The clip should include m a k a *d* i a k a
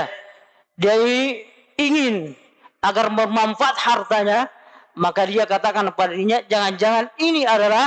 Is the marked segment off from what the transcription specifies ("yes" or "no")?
no